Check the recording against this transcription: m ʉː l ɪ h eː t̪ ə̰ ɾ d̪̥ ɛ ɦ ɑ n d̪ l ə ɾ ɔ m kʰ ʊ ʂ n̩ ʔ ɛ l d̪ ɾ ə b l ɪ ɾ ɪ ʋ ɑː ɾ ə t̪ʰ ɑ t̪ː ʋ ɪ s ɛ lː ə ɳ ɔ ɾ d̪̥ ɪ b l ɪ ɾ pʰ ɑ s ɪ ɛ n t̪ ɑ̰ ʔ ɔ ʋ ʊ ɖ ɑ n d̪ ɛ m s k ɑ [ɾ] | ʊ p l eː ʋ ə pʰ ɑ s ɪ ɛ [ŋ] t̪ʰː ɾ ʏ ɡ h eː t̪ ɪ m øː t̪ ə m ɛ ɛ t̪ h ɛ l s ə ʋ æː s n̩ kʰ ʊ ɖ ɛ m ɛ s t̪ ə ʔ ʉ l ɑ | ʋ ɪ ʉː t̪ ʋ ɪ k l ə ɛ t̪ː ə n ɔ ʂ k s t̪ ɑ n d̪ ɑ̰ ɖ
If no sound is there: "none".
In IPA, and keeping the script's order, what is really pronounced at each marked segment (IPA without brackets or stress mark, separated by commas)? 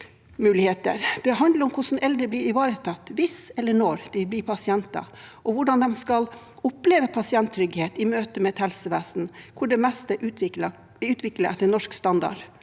l, n